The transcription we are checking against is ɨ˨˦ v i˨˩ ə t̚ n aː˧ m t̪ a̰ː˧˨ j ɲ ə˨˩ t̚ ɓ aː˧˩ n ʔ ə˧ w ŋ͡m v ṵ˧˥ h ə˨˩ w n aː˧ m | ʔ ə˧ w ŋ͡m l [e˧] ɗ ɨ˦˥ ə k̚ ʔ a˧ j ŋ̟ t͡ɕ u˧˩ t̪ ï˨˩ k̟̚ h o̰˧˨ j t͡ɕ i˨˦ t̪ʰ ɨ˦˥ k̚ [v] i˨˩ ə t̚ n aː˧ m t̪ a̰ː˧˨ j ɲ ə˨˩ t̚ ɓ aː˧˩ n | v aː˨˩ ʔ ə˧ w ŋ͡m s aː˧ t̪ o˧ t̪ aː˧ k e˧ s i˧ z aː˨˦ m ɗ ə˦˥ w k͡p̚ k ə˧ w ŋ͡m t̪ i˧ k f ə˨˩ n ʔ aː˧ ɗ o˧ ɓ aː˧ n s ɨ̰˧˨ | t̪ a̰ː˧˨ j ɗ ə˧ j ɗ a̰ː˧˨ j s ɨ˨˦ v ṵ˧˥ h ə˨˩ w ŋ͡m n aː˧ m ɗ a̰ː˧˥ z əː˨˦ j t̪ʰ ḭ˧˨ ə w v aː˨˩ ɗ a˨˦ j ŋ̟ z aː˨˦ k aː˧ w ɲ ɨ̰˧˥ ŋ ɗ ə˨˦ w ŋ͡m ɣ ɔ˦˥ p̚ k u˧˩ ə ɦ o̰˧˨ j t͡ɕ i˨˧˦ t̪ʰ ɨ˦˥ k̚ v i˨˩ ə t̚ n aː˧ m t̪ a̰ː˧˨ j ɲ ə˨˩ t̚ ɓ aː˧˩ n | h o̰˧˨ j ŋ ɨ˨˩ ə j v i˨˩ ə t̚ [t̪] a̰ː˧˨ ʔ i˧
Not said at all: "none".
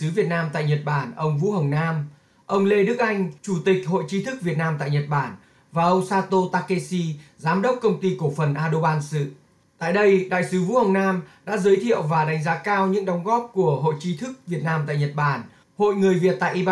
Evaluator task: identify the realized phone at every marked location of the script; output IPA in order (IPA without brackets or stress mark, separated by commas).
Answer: e˧, v, t̪